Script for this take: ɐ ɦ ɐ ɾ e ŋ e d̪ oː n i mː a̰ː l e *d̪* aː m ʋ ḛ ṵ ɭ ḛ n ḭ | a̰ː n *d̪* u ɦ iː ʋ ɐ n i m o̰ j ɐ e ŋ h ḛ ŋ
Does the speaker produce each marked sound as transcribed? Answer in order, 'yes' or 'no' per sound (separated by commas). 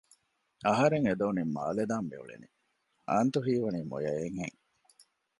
yes, no